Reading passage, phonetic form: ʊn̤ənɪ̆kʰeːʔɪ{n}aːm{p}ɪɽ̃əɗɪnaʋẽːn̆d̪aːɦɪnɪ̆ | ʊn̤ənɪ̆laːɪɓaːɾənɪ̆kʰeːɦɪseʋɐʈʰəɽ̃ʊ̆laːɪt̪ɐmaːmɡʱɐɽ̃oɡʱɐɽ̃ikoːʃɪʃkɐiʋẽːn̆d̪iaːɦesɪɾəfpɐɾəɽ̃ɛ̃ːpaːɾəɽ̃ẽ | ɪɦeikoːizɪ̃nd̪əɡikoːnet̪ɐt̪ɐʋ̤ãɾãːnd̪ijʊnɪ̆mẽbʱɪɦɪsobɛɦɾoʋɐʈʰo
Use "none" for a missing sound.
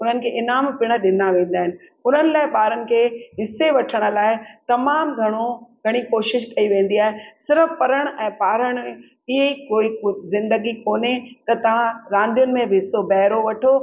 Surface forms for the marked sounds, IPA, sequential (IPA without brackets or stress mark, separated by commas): n, p